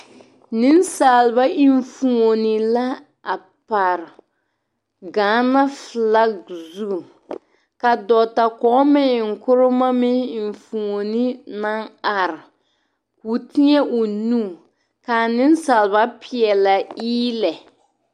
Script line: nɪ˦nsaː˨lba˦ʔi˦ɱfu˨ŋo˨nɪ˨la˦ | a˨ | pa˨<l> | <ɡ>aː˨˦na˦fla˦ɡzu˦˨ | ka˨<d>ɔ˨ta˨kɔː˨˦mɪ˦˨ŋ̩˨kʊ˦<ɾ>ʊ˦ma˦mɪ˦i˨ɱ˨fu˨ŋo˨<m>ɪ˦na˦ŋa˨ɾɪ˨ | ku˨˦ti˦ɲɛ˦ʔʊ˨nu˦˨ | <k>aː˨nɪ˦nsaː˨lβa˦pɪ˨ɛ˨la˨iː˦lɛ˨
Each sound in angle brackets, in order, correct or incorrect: incorrect: ɾ, correct, correct, correct, incorrect: n, correct

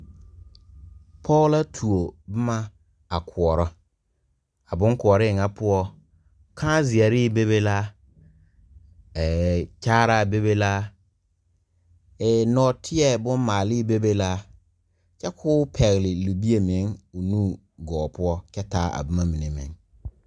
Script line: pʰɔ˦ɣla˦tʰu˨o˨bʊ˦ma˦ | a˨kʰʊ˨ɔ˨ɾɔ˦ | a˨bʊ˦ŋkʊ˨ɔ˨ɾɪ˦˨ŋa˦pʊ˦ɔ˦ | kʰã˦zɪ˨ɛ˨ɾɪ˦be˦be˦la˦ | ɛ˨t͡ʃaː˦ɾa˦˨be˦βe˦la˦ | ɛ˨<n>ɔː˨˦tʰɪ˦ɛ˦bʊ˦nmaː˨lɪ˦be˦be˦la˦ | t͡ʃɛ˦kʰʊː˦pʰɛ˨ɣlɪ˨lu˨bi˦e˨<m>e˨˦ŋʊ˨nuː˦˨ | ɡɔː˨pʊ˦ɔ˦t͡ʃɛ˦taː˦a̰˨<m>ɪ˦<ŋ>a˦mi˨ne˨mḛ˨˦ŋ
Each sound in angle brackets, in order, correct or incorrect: correct, correct, incorrect: b, incorrect: m

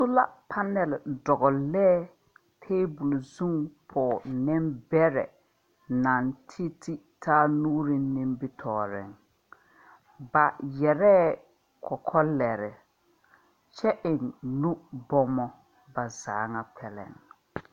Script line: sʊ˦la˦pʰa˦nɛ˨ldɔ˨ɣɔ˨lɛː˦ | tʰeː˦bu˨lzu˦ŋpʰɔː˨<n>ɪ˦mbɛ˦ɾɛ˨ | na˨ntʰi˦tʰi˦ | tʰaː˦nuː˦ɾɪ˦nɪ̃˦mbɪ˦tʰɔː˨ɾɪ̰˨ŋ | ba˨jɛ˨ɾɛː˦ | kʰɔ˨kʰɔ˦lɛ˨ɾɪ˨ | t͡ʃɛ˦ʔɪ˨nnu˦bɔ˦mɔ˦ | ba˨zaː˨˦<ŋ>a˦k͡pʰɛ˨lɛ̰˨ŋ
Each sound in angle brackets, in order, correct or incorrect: correct, correct

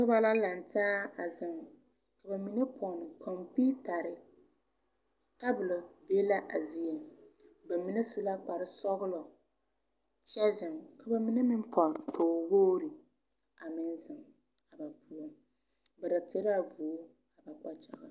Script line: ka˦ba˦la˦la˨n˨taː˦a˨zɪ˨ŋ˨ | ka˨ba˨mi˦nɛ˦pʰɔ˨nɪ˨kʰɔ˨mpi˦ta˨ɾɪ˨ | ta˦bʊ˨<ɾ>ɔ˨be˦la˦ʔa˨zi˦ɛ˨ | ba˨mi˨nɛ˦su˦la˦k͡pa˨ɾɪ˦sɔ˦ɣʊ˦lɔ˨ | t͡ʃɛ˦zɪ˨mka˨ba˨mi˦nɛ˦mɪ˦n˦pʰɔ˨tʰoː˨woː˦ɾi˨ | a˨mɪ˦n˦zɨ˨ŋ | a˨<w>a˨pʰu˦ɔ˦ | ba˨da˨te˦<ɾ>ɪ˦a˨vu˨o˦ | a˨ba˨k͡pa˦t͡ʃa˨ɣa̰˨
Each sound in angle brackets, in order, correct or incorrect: incorrect: l, incorrect: b, correct

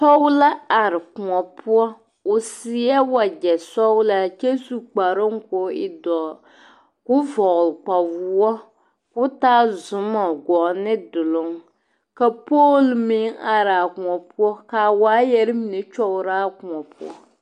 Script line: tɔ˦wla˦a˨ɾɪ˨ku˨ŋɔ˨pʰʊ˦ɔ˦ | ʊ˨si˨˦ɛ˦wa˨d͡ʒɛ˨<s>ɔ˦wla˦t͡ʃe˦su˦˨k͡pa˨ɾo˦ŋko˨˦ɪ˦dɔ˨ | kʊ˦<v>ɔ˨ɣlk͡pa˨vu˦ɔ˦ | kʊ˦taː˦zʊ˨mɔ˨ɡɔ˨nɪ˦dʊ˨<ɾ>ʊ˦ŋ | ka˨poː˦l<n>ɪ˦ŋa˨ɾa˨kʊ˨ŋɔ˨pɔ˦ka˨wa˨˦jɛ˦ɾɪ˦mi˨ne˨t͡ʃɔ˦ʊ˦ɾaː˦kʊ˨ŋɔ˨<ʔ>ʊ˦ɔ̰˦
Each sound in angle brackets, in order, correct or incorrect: correct, correct, incorrect: l, incorrect: m, incorrect: p

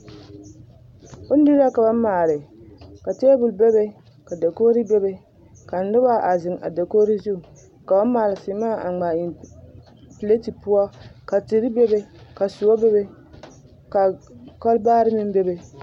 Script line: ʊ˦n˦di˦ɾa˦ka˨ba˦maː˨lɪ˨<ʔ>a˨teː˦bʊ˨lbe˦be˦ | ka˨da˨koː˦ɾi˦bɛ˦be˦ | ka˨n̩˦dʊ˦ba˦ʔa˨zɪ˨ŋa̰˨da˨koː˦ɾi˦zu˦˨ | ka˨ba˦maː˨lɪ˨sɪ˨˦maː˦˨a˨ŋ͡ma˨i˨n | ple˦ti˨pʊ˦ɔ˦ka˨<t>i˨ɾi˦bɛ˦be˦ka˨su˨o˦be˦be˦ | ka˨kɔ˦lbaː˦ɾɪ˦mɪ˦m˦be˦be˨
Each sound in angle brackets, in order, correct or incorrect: incorrect: k, correct

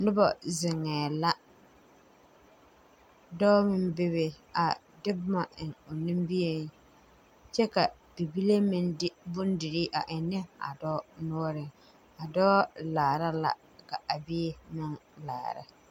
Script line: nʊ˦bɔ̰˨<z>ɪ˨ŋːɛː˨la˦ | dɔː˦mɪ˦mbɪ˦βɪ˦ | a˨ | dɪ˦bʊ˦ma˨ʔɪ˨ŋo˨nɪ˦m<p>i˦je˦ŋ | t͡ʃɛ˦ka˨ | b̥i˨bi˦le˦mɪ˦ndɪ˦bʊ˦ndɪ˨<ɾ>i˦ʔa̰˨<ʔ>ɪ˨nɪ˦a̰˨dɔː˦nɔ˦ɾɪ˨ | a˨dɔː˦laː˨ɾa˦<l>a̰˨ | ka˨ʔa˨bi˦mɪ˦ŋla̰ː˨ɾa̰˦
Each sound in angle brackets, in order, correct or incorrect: correct, incorrect: b, correct, correct, correct

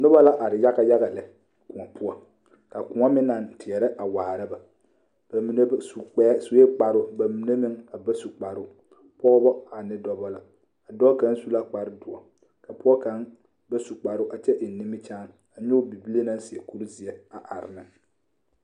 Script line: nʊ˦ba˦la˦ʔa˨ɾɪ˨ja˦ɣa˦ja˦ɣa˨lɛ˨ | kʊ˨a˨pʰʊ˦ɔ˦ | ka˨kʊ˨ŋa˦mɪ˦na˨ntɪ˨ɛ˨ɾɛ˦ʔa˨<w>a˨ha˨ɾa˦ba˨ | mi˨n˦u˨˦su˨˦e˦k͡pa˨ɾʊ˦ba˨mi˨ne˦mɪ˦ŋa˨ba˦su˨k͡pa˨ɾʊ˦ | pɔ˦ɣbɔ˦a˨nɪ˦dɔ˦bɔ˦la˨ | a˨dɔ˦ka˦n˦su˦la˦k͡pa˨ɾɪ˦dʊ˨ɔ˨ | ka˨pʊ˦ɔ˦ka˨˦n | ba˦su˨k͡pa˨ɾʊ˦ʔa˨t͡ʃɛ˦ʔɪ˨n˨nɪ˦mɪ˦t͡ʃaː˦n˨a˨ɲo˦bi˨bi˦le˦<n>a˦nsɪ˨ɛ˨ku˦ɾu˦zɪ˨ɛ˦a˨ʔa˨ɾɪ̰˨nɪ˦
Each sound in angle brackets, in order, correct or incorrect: correct, correct

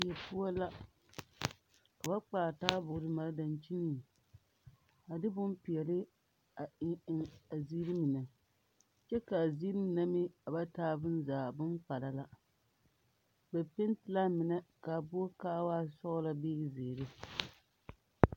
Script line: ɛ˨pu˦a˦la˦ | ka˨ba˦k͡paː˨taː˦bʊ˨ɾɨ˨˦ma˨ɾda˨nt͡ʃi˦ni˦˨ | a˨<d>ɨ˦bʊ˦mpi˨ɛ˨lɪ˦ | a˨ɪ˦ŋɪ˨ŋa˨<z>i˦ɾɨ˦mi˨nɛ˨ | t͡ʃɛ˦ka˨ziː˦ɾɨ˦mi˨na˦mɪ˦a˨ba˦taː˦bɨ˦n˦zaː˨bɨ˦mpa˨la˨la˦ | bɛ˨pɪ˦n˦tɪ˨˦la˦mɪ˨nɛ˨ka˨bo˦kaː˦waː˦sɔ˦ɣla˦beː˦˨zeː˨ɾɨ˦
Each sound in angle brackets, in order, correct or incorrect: correct, correct

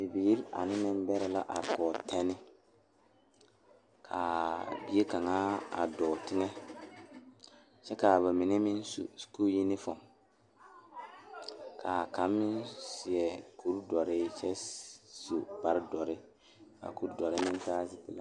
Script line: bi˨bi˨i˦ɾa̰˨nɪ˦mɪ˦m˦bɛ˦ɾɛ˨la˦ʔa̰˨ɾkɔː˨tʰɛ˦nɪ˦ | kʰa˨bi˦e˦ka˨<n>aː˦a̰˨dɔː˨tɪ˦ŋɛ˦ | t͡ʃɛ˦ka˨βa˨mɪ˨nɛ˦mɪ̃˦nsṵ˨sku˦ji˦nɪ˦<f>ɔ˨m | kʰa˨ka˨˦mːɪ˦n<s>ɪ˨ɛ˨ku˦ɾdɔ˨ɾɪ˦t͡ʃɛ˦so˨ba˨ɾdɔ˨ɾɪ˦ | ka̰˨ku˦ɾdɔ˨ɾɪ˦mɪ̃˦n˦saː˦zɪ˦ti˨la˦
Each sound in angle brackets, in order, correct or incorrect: incorrect: ŋ, correct, correct

